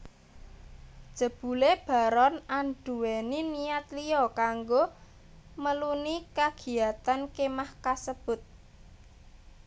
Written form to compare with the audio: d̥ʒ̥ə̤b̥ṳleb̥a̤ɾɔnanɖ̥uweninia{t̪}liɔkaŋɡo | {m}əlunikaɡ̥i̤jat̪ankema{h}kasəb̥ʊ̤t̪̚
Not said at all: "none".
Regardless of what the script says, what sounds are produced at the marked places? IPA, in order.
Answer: t̪, m, h

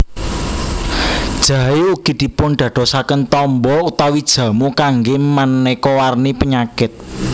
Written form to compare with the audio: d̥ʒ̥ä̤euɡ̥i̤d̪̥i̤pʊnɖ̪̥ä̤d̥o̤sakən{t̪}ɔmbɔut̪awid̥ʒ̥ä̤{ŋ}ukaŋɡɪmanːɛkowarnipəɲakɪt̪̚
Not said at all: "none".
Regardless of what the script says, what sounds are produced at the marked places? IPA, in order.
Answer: t̪, m

